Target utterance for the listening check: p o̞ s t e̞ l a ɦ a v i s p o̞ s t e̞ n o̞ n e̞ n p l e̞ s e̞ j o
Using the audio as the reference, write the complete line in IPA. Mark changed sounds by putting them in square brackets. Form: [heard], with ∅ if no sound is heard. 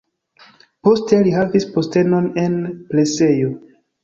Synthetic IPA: p o̞ s t e̞ l [i] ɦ a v i s p o̞ s t e̞ n o̞ n e̞ n p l e̞ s e̞ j o